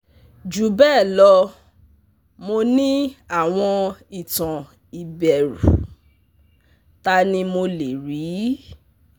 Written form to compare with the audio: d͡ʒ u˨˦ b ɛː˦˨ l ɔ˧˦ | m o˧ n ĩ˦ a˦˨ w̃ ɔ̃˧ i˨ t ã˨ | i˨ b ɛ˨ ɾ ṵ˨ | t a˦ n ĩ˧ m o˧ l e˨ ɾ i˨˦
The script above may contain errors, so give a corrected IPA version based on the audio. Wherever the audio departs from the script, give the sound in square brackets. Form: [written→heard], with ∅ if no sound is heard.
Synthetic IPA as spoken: d͡ʒ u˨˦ b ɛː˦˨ l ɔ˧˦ | m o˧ n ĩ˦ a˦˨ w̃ ɔ̃˧ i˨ t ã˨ | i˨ b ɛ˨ ɾ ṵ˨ | t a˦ n ĩ˧ m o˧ l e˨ ɾ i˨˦